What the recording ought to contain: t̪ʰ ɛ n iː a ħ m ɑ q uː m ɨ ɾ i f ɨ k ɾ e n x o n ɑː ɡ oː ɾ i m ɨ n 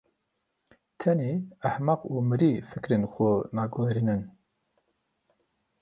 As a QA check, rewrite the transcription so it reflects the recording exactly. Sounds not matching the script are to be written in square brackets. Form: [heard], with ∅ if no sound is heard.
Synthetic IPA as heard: t̪ʰ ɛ n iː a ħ m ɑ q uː m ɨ ɾ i f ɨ k ɾ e n x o n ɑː ɡ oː ɾ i [n] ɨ n